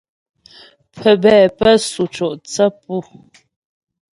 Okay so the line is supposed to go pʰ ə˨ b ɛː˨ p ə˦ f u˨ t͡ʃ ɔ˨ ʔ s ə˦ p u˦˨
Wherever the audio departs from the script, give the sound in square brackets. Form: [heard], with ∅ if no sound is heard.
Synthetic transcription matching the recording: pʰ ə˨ b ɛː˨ p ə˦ [s] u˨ t͡ʃ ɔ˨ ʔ [t͡s] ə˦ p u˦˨

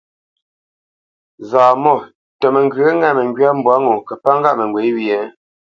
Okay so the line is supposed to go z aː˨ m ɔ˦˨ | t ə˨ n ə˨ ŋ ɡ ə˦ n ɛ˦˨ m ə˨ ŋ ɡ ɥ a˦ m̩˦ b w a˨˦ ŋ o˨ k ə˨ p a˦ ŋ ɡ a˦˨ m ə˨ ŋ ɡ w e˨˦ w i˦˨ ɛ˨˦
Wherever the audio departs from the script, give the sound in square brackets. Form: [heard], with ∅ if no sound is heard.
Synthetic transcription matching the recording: z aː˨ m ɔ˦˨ | t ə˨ [m] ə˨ ŋ ɡ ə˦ [ŋ] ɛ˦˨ m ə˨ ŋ ɡ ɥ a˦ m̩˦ b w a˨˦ ŋ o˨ k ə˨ p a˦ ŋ ɡ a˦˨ m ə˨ ŋ ɡ w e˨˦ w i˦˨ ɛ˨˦

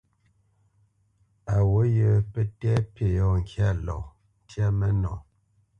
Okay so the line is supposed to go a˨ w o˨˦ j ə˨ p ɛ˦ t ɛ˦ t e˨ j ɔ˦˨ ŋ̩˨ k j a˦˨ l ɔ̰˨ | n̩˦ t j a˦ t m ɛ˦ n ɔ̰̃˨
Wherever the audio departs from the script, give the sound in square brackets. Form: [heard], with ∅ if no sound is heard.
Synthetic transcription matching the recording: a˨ w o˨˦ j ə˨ p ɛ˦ t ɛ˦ [p] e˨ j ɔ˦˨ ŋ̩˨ k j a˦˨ l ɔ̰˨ | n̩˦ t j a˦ [∅] m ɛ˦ n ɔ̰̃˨

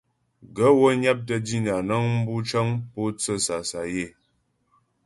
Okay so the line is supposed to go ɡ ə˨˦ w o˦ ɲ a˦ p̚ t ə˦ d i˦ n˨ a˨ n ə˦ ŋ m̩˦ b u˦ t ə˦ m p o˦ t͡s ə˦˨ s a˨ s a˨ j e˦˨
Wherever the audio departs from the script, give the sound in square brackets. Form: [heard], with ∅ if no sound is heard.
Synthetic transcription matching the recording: ɡ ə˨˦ w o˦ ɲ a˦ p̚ t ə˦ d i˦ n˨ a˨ n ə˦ ŋ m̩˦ b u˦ [t͡ʃ] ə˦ [ŋ] p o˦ t͡s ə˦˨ s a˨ s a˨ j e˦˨

